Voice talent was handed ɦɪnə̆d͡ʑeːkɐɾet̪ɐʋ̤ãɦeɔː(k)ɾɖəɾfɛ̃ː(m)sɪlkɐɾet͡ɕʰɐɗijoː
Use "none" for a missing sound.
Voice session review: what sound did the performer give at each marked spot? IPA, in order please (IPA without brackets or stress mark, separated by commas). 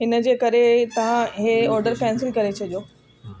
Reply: none, n